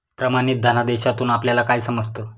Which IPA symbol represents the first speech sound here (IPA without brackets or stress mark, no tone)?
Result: p